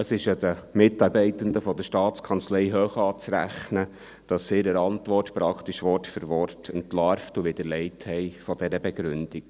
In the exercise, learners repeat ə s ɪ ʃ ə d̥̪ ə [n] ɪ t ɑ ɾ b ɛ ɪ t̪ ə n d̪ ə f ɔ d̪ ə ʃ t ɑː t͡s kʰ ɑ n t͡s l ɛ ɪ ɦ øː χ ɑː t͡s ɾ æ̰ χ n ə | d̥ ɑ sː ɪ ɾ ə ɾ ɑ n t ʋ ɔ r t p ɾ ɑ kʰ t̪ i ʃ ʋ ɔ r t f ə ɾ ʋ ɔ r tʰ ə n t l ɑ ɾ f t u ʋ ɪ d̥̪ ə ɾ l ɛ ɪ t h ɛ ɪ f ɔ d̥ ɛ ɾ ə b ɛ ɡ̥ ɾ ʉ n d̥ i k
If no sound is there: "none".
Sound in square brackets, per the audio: m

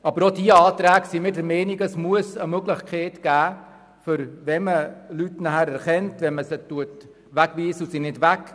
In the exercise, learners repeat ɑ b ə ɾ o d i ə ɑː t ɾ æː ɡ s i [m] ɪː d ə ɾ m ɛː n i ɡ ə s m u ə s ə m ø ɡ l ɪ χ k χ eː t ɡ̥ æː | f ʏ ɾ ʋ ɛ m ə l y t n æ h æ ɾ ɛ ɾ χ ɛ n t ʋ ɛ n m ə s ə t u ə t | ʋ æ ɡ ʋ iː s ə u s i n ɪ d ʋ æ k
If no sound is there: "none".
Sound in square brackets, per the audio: m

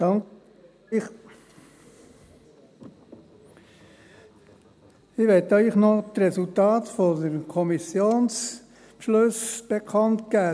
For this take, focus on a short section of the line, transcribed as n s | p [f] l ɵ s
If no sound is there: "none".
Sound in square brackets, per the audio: ʃ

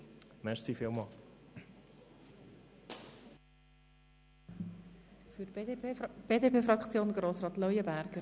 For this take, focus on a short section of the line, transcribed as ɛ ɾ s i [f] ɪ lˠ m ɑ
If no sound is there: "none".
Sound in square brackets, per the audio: f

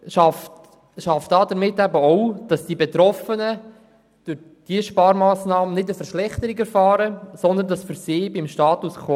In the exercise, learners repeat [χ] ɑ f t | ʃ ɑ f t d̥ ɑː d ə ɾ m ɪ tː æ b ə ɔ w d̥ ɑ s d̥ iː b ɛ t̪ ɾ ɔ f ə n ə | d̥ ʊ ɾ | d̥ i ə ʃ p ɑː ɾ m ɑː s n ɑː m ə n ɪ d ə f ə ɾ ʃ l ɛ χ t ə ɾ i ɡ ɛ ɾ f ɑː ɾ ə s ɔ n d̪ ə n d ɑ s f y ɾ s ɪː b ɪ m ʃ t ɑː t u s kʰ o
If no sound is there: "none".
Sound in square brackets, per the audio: ʃ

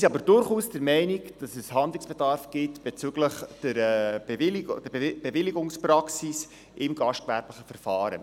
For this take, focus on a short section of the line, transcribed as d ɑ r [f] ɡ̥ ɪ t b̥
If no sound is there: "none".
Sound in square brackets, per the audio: f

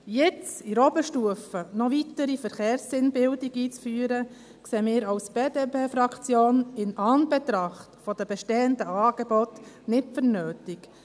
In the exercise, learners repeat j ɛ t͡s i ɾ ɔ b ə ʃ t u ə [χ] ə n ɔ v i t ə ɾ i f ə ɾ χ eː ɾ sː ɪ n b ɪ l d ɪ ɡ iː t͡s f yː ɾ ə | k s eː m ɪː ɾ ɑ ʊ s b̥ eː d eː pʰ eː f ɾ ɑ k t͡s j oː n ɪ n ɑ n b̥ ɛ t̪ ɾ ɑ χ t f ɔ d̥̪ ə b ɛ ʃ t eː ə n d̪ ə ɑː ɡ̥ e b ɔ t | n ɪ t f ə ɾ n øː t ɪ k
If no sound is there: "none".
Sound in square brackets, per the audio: f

